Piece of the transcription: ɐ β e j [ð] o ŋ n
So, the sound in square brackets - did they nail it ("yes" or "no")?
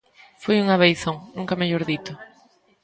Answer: no